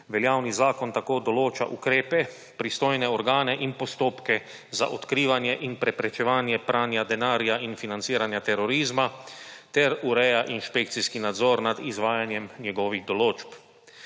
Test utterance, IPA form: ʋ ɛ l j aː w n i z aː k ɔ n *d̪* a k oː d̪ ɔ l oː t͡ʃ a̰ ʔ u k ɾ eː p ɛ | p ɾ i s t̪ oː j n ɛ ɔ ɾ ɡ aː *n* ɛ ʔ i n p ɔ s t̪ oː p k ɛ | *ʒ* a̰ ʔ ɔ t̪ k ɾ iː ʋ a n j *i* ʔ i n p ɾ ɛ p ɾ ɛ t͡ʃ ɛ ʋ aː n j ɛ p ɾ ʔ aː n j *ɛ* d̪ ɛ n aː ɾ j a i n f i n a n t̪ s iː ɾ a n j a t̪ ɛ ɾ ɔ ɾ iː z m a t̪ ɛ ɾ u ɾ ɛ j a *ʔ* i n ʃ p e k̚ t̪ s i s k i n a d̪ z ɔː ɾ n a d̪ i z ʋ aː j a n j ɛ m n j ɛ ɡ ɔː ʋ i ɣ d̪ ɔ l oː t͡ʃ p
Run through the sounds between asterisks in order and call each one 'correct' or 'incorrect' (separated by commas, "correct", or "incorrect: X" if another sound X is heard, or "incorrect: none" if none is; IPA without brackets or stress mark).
incorrect: t̪, correct, incorrect: z, incorrect: ɛ, incorrect: a, correct